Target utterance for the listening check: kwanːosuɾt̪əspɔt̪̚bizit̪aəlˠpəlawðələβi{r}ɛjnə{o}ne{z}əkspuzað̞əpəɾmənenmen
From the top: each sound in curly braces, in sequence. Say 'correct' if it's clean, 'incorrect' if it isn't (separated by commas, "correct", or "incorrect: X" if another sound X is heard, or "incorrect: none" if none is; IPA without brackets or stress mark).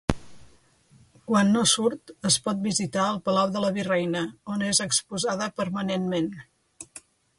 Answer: correct, correct, correct